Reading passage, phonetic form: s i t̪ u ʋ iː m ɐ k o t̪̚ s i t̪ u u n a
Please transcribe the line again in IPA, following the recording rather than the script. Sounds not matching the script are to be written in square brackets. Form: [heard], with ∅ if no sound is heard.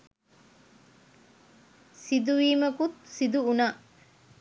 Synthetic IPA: s i [d̪] u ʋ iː m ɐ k [u] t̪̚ s i [d̪] u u n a

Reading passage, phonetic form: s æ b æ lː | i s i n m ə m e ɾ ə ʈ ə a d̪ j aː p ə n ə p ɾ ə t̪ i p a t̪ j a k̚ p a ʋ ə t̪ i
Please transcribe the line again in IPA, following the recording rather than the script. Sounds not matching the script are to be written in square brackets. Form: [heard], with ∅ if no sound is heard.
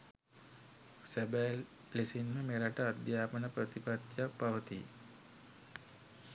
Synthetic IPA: s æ b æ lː | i s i n m ə m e ɾ [a] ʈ ə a d̪ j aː p ə n ə p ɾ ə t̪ i p a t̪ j a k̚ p a ʋ ə t̪ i

